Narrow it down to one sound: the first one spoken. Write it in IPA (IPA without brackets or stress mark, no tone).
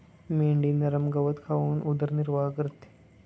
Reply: m